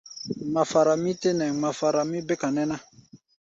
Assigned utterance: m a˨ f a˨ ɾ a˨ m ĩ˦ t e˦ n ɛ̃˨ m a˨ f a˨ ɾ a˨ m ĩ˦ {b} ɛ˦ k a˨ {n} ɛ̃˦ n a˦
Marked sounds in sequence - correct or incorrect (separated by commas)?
correct, correct